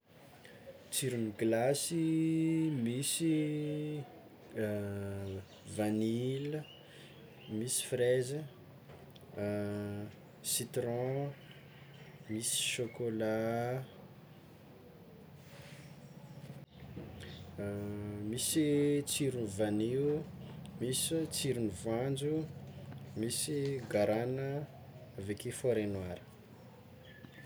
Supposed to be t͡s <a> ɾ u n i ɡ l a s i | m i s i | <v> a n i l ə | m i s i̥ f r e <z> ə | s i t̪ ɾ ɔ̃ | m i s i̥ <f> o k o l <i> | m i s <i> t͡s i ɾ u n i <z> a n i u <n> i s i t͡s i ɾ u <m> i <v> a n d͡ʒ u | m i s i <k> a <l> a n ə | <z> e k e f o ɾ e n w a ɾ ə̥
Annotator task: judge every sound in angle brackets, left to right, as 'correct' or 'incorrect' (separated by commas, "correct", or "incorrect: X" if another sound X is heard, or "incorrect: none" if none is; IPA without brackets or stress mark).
incorrect: i, correct, correct, incorrect: ʃ, incorrect: a, correct, incorrect: v, incorrect: m, incorrect: n, correct, incorrect: ɡ, incorrect: ɾ, incorrect: v